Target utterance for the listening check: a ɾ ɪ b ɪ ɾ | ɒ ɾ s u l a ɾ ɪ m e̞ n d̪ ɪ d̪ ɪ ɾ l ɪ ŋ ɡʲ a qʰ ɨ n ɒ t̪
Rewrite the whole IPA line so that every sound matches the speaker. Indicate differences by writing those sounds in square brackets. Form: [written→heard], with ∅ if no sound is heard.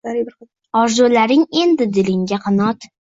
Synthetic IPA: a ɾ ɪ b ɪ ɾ | ɒ ɾ [s→z] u l a ɾ ɪ [m→ŋ] e̞ n d̪ ɪ d̪ ɪ [ɾ→∅] l ɪ ŋ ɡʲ a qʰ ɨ n ɒ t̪